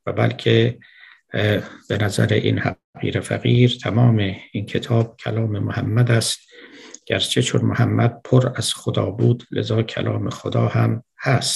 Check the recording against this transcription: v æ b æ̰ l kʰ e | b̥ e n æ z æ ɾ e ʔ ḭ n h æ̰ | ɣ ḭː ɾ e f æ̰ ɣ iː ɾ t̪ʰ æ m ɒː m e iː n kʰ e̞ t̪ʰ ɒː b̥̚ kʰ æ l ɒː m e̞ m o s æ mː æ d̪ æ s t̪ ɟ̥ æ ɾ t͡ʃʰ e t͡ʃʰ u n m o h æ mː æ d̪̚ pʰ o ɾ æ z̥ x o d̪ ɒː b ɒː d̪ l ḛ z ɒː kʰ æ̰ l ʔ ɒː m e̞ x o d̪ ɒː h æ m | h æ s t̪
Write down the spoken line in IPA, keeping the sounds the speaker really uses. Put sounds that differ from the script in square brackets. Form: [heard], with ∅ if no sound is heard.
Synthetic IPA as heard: v æ b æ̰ l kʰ e | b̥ e n æ z æ ɾ e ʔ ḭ n h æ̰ | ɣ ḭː ɾ e f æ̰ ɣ iː ɾ t̪ʰ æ m ɒː m e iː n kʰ e̞ t̪ʰ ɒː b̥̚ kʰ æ l ɒː m e̞ m o [h] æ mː æ d̪ æ s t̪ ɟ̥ æ ɾ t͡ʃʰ e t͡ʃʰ [o] n m o h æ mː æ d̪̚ pʰ o ɾ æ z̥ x o d̪ ɒː b [uː] d̪ l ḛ z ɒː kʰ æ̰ l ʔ ɒː m e̞ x o d̪ ɒː h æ m | h æ s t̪

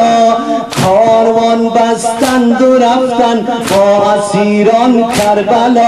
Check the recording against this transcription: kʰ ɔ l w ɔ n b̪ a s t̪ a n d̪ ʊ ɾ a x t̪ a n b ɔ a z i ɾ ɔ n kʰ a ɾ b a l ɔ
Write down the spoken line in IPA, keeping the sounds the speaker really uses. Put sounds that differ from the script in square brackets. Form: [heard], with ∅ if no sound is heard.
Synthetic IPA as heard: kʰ ɔ [ɾ] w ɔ n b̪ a s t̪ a n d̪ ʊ ɾ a [f] t̪ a n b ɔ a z i ɾ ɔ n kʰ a ɾ b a l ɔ

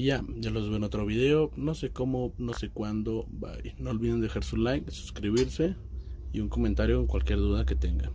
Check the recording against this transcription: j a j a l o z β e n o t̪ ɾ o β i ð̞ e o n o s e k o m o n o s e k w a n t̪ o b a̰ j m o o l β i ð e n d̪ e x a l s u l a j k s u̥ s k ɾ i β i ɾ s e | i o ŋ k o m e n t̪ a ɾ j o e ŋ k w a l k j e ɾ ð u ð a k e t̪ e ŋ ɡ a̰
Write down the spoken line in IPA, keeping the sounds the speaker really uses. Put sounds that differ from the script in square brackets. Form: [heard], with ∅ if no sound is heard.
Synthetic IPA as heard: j a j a l o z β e n o t̪ ɾ o β i ð̞ e o n o s e k o m o n o s e k w a n [d̪] o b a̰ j [n] o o l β i ð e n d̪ e x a [ɾ] s u l a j k s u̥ s k ɾ i β i ɾ s e | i [u] ŋ k o m e n t̪ a ɾ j o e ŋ k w a l k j e ɾ ð u ð a k e t̪ e ŋ ɡ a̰

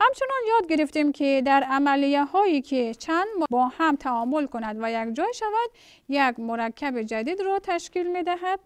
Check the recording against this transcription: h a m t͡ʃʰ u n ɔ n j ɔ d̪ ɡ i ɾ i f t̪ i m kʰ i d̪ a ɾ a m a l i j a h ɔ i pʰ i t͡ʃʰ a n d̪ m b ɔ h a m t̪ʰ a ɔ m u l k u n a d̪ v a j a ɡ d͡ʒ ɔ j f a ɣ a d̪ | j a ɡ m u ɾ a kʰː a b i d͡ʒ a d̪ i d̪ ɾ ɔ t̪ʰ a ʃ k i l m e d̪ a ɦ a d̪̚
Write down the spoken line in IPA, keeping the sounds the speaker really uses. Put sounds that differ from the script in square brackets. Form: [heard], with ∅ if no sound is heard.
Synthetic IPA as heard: h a m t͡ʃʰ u n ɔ n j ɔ d̪ ɡ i ɾ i f t̪ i m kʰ i d̪ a ɾ a m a l i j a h ɔ i [kʰ] i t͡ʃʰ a n d̪ m b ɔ h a m t̪ʰ a ɔ m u l k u n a d̪ v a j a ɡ d͡ʒ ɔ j [ʃ] a [v] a d̪ | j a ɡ m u ɾ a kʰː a b i d͡ʒ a d̪ i d̪ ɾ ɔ t̪ʰ a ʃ k i l m e d̪ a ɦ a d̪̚

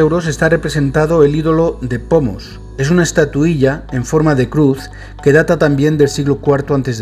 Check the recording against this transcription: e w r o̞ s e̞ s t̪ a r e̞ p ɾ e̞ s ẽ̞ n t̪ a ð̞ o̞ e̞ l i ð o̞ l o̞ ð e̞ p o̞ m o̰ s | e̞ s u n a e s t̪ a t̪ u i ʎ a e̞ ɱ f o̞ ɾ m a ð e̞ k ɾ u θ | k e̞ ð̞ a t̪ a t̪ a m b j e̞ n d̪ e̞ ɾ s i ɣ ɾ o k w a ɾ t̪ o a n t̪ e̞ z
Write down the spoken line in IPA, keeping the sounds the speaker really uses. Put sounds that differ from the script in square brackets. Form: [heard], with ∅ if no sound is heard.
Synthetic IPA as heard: e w [ɾ] o̞ s e̞ s t̪ a r e̞ p ɾ e̞ s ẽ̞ n t̪ a ð̞ o̞ e̞ l i ð o̞ l o̞ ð e̞ p o̞ m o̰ s | e̞ s u n a e s t̪ a t̪ u i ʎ a e̞ ɱ f o̞ ɾ m a ð e̞ k ɾ u θ | k e̞ ð̞ a t̪ a t̪ a m b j e̞ n d̪ e̞ [l] s i ɣ [l] o k w a ɾ t̪ o a n t̪ e̞ z

